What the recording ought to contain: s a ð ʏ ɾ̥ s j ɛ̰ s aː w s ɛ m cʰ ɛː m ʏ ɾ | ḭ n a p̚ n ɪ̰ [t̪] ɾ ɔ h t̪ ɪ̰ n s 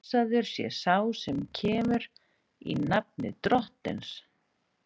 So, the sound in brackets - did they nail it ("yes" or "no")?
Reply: yes